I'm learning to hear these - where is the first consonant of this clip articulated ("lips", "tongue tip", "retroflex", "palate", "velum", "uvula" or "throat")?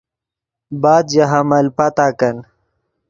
lips